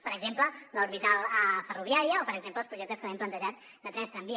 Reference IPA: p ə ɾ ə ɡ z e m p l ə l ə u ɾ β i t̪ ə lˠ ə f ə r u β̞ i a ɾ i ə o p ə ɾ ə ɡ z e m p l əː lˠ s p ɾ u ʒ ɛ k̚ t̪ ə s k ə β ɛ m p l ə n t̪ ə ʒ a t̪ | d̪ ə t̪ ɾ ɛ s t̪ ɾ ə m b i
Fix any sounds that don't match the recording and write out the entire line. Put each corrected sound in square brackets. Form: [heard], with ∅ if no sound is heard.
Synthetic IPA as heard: p ə ɾ ə ɡ z e m p l ə l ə u ɾ β i t̪ [a] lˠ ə f ə r u β̞ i a ɾ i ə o p ə ɾ ə ɡ z e m p l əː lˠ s p ɾ u ʒ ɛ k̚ t̪ ə s k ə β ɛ m p l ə n t̪ ə ʒ a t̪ | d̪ ə t̪ ɾ ɛ s t̪ ɾ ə m b i